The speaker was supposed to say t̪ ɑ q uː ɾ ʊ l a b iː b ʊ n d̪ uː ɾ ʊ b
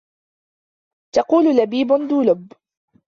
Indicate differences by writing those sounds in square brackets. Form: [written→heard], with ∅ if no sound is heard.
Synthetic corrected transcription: t̪ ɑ q uː [ɾ→l] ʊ l a b iː b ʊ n d̪ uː [ɾ→l] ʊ b

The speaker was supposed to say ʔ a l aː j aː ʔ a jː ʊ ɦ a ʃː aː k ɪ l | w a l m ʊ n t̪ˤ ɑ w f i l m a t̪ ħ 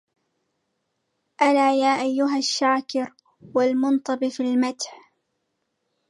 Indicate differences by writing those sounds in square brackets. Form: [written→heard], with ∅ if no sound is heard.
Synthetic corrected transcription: ʔ a l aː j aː ʔ a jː ʊ ɦ a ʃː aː k ɪ [l→ɾ] | w a l m ʊ n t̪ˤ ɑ [w→b] f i l m a t̪ ħ

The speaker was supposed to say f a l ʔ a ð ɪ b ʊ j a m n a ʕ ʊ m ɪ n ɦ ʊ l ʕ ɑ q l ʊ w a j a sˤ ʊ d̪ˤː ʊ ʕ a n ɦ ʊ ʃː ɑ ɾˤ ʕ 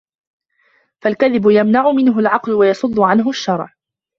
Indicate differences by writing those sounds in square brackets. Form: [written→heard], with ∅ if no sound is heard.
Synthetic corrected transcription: f a l [ʔ→k] a ð ɪ b ʊ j a m n a ʕ ʊ m ɪ n ɦ ʊ l ʕ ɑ q l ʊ w a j [a→ɑ] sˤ ʊ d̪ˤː ʊ ʕ a n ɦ ʊ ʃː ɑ ɾˤ ʕ

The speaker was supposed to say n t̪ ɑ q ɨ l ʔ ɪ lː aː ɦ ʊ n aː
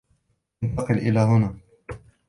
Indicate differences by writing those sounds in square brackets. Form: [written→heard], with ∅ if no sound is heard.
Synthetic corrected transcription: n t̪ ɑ q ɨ l ʔ ɪ [lː→l] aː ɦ ʊ n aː

